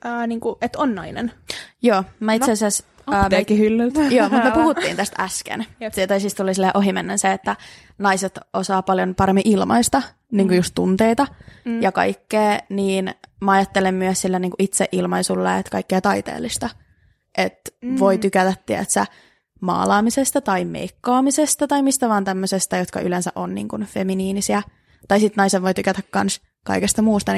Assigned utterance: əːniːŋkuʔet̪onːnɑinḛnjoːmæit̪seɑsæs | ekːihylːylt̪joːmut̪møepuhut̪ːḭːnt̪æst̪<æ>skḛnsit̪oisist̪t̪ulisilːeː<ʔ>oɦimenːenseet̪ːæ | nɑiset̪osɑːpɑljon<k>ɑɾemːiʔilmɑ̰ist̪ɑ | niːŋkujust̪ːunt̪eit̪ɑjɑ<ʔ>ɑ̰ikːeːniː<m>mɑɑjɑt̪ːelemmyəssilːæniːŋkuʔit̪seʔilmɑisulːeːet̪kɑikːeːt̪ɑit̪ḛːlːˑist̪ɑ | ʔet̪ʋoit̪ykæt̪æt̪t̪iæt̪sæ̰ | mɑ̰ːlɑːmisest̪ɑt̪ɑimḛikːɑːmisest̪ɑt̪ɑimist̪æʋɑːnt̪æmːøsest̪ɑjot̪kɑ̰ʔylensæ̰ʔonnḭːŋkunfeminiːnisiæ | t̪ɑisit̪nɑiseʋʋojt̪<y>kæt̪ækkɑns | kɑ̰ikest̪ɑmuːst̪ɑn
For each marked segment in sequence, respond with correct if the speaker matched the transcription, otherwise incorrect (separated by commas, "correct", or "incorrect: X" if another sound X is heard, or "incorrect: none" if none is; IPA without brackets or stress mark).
correct, correct, incorrect: p, incorrect: k, incorrect: n, correct